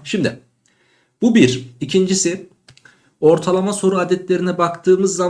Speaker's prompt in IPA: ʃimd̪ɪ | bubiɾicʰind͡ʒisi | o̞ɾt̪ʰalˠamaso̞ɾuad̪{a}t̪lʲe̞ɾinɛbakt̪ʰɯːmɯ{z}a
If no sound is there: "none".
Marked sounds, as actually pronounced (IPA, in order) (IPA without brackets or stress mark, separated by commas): ɛ, zː